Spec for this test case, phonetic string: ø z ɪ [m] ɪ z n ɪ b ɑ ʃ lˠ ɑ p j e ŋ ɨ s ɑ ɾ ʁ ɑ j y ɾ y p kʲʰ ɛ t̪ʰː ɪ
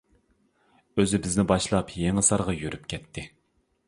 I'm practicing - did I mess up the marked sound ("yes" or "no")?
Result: yes